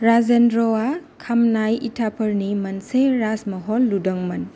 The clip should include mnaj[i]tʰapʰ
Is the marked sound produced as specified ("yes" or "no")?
yes